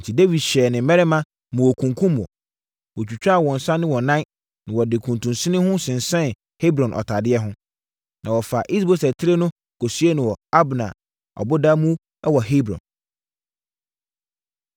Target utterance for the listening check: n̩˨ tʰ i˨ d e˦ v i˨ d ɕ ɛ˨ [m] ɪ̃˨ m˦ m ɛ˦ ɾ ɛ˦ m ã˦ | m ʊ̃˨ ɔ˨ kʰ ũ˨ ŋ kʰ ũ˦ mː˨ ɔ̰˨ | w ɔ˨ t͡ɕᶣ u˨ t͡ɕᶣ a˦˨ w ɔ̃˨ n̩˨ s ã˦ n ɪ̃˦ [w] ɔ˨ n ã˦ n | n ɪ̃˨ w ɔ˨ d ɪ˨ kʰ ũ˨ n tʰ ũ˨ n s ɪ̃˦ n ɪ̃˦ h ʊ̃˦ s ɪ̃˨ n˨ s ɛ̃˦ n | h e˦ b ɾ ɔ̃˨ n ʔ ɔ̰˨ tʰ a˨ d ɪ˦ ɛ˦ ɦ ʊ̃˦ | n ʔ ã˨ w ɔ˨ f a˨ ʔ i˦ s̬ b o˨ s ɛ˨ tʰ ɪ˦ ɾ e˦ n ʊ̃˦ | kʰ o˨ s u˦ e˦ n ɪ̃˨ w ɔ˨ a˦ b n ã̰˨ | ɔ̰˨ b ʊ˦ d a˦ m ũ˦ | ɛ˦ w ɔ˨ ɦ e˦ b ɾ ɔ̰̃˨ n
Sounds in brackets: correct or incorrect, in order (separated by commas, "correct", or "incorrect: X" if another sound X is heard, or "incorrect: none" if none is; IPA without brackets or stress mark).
incorrect: n, correct